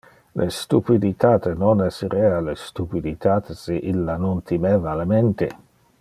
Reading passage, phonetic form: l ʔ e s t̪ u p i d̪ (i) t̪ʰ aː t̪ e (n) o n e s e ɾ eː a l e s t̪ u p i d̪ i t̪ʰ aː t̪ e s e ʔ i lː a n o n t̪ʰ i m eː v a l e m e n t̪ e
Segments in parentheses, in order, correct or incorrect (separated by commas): correct, correct